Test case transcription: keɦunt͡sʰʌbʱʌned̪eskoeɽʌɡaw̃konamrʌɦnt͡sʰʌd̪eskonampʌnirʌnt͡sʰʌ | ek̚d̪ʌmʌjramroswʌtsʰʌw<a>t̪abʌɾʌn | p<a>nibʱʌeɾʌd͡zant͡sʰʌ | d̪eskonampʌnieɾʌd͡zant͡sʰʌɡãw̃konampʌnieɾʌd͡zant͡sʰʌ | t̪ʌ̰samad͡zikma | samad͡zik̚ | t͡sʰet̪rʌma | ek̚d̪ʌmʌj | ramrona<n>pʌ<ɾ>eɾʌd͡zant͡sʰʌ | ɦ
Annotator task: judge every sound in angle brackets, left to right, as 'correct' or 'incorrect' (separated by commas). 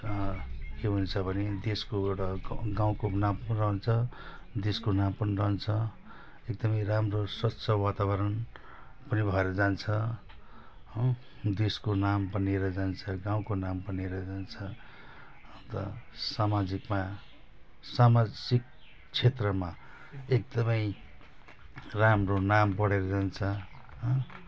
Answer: correct, incorrect, incorrect, incorrect